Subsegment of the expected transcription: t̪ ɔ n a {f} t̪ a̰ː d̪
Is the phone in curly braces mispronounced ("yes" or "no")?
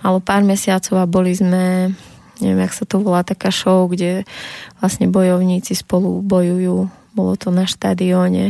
yes